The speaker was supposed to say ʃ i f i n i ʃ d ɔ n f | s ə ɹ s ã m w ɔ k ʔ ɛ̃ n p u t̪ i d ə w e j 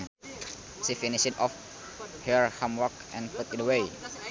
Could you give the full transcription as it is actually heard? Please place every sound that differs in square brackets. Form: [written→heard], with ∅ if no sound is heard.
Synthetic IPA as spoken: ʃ i f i n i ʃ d ɔ [n→∅] f | [s→h] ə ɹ [s→h] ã m w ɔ k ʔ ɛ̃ n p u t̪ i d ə w e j